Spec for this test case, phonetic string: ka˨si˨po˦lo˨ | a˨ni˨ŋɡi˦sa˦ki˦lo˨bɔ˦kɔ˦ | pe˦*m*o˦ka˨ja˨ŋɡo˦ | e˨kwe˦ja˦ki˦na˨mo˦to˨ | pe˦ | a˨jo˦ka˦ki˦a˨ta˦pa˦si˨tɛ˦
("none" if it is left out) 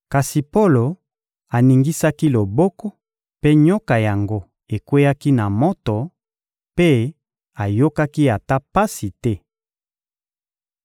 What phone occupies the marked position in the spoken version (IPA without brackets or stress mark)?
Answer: ɲ